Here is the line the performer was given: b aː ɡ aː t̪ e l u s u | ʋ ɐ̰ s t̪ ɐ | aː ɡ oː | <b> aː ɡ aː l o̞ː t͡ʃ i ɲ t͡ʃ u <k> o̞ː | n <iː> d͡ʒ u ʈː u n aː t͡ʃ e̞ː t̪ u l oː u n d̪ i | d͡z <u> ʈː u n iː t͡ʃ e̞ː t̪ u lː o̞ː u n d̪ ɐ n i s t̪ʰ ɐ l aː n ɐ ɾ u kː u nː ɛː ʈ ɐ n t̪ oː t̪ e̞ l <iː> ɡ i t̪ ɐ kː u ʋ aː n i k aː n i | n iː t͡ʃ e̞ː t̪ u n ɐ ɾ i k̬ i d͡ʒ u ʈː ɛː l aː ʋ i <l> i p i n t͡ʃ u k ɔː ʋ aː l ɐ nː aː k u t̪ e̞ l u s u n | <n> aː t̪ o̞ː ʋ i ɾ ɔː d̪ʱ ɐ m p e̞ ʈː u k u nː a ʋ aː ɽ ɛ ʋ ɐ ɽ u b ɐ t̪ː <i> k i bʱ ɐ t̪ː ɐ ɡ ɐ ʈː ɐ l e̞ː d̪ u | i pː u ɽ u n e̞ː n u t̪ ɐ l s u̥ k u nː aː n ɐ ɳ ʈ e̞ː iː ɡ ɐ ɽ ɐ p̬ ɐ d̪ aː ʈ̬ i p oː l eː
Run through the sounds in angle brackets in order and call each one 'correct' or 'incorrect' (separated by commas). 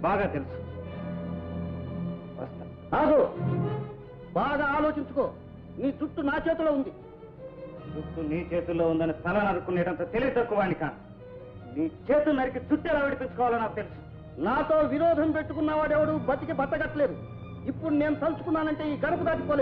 correct, correct, correct, correct, incorrect, incorrect, correct, correct